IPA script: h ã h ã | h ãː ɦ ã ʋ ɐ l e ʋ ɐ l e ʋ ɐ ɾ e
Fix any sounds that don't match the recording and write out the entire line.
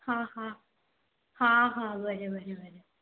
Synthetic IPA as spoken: h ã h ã | h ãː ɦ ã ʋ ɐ ɾ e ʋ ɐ ɾ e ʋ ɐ ɾ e